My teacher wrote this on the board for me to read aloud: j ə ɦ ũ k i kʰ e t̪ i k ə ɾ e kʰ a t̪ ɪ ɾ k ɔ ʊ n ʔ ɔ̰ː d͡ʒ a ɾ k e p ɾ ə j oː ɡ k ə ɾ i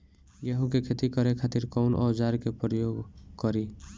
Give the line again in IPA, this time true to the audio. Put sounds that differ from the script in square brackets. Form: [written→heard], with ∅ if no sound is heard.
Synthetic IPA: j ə ɦ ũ k [i→e] kʰ e t̪ i k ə ɾ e kʰ a t̪ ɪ ɾ k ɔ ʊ n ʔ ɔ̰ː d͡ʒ a ɾ k e p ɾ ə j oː ɡ k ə ɾ i